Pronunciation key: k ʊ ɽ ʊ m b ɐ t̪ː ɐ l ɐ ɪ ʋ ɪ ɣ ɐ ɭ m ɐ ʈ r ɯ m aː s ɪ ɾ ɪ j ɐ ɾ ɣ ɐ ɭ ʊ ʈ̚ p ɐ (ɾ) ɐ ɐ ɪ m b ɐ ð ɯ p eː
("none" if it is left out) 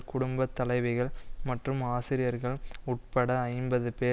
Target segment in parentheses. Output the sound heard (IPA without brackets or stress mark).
ɽ